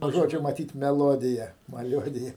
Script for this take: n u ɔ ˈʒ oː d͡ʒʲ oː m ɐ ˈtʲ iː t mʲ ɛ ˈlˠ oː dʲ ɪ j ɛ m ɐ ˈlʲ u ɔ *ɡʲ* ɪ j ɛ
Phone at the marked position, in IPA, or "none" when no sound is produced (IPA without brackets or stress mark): dʲ